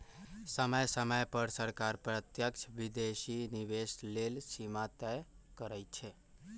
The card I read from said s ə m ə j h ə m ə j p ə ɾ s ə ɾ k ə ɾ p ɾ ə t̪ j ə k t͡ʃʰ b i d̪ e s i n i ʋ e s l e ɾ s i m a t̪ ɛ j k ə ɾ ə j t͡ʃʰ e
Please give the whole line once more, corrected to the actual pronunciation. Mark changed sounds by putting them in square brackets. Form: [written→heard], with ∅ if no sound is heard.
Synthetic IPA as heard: s ə m ə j [h→s] ə m ə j p ə ɾ s ə ɾ k [ə→a] ɾ p ɾ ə t̪ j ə k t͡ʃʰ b i d̪ e s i n i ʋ e s l e [ɾ→l] s i m a t̪ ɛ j k ə ɾ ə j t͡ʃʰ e